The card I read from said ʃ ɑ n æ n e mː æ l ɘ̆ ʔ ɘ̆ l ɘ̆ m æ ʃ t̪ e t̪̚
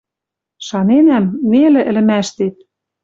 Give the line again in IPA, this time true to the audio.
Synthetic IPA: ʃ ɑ n e n æ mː e l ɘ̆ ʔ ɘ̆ l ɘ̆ m æ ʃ t̪ e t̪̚